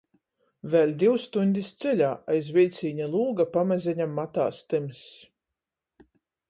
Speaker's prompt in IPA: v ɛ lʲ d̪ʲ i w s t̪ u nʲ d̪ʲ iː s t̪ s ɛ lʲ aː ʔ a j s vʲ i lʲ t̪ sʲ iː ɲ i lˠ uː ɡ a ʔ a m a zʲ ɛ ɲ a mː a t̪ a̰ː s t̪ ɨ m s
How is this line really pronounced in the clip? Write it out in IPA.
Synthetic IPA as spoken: v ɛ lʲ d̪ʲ i w s t̪ u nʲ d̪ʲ i s t̪ s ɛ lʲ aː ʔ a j z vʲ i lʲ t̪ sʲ iː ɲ a lˠ uː ɡ a p a m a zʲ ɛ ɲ a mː a t̪ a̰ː s t̪ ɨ m s